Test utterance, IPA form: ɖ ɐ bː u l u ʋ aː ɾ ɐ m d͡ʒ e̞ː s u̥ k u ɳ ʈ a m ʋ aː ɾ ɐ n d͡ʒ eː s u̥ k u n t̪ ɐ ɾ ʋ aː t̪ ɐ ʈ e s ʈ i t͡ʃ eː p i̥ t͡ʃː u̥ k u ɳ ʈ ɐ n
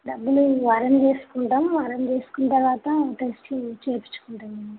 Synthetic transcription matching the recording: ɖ ɐ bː u l u ʋ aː ɾ ɐ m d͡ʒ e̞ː s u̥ k u ɳ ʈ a m ʋ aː ɾ ɐ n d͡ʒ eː s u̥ k u n t̪ ɐ ɾ ʋ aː t̪ ɐ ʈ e s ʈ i t͡ʃ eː p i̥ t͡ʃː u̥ k u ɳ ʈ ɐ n